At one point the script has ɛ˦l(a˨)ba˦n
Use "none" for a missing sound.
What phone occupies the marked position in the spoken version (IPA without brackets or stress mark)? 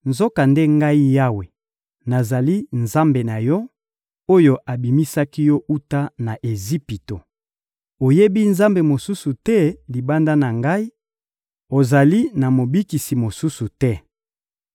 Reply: i˨